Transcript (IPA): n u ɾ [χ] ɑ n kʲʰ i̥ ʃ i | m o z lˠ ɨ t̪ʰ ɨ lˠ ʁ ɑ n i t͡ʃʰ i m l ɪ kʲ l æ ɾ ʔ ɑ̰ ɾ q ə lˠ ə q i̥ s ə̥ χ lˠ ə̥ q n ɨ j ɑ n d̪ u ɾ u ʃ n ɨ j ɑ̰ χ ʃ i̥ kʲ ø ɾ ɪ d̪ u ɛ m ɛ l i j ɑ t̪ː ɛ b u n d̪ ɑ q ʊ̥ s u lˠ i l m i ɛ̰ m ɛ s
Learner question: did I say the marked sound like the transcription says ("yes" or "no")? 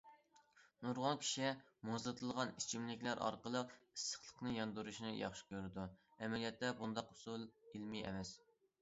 no